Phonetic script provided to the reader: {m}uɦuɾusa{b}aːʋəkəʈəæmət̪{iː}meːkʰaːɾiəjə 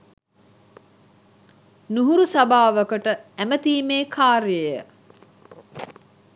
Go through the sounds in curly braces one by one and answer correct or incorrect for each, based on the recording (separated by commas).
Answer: incorrect, correct, correct